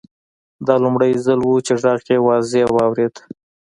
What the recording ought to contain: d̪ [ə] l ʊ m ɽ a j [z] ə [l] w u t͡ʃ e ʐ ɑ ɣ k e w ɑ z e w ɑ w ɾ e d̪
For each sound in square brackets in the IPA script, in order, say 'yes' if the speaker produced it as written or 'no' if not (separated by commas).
no, yes, yes